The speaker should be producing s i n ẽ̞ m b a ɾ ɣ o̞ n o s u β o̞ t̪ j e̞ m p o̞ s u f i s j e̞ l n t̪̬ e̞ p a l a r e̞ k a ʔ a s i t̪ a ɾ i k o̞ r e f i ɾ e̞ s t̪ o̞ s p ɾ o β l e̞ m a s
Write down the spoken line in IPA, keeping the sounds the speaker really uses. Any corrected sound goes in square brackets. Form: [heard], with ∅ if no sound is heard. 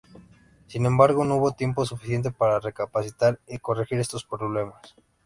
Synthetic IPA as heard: s i n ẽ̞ m b a ɾ ɣ o̞ n o [∅] u β o̞ t̪ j e̞ m p o̞ s u f i s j e̞ [∅] n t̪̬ e̞ p a [ɾ] a r e̞ k a [p] a s i t̪ a ɾ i k o̞ r e [x] i ɾ e̞ s t̪ o̞ s p ɾ o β l e̞ m a s